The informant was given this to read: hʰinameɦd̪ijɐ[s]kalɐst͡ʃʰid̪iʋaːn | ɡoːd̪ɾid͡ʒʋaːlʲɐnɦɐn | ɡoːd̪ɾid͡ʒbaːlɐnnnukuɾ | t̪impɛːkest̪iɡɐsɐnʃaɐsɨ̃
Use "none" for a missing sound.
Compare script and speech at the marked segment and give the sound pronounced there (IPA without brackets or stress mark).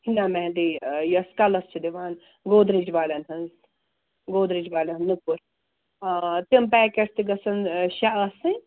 s